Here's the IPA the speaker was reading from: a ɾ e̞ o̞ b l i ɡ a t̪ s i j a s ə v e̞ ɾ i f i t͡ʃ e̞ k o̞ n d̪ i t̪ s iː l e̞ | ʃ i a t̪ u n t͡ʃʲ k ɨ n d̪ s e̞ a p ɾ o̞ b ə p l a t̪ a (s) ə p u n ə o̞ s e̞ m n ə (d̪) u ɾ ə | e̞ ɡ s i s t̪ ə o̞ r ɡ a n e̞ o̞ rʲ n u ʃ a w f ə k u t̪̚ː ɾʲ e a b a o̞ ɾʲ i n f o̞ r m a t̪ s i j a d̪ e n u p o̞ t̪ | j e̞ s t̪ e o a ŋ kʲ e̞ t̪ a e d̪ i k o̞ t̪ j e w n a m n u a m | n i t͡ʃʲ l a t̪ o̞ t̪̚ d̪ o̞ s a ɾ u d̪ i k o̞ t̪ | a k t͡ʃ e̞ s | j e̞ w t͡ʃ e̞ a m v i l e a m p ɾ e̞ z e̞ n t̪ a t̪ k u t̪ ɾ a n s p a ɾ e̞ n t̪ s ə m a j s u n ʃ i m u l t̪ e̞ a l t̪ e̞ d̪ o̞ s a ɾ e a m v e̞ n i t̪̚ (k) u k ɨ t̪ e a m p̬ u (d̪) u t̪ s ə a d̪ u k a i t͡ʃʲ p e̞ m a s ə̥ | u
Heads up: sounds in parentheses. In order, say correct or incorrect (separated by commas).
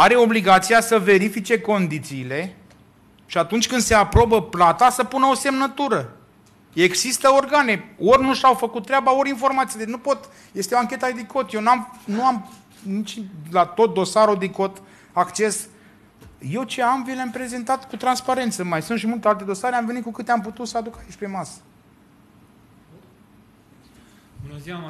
correct, incorrect, correct, incorrect